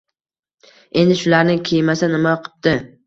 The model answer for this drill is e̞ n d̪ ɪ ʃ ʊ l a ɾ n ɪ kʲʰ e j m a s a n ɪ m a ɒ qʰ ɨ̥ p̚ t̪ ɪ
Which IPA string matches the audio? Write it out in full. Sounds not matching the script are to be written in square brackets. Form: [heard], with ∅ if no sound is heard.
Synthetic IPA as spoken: e̞ n d̪ ɪ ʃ ʊ l a ɾ n ɪ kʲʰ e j m a s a n ɪ m a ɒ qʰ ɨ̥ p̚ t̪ ɪ